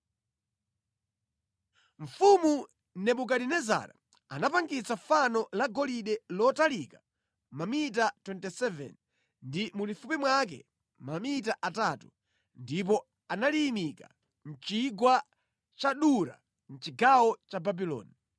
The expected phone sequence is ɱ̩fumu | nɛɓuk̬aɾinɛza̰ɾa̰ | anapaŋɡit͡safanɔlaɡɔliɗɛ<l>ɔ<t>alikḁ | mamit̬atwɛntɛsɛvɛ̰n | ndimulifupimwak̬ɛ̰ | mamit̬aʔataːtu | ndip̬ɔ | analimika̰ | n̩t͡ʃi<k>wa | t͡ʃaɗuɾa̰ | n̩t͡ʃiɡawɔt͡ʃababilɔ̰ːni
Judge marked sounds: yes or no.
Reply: yes, yes, no

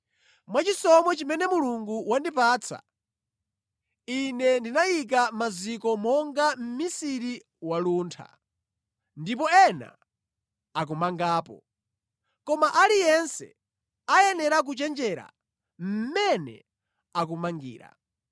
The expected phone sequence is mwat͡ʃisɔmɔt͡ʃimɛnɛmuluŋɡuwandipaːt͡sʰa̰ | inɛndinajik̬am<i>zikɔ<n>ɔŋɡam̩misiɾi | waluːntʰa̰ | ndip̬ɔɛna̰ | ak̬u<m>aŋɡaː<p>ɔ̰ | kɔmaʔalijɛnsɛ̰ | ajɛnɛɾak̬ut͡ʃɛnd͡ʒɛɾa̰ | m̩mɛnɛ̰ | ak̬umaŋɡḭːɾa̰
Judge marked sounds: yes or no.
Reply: no, no, yes, yes

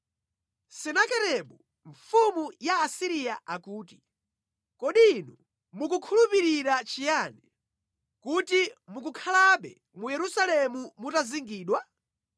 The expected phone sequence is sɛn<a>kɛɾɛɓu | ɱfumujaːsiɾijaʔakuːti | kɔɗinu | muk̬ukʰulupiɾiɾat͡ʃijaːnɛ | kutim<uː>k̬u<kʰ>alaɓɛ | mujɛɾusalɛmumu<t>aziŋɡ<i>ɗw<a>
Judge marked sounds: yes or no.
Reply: yes, no, yes, yes, no, yes

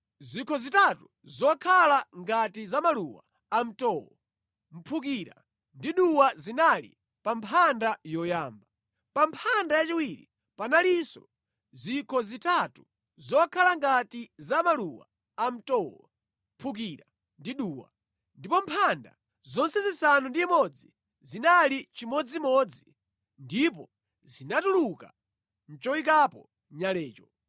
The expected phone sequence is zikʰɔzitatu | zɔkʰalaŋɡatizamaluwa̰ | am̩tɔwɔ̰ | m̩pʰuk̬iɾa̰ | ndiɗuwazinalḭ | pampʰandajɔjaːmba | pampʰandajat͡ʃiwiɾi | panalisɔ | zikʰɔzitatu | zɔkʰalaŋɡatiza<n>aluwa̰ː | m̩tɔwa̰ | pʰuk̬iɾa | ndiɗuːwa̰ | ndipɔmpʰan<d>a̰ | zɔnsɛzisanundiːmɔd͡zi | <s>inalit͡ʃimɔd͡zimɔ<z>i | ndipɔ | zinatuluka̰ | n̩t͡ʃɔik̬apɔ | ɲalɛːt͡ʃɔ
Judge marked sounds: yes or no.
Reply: no, yes, no, no

